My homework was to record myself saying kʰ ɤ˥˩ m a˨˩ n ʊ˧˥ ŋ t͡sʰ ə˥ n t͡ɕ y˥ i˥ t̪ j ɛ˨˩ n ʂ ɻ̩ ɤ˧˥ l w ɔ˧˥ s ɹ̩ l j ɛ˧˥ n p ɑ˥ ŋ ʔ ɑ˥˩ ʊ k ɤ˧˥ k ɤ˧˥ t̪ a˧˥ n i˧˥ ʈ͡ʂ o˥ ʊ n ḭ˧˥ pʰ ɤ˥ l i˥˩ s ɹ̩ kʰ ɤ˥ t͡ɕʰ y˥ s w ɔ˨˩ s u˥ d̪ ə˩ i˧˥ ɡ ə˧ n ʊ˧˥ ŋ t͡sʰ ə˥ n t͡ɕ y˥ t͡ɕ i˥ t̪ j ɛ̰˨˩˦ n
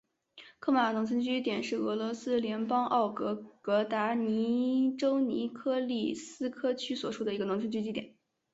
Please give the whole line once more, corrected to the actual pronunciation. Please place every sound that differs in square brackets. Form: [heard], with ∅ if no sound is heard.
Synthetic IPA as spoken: kʰ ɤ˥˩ m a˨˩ n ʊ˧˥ ŋ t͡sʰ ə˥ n t͡ɕ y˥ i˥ t̪ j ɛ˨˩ n ʂ ɻ̩ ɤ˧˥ l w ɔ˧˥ s ɹ̩ l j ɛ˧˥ n p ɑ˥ ŋ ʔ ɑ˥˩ ʊ k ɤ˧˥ k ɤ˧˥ t̪ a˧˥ n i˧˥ ʈ͡ʂ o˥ ʊ n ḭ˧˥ [kʰ] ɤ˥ l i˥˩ s ɹ̩ kʰ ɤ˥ t͡ɕʰ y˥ s w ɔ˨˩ [ʂ] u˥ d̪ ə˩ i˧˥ ɡ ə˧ n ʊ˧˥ ŋ t͡sʰ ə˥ n t͡ɕ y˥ t͡ɕ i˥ t̪ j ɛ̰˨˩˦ n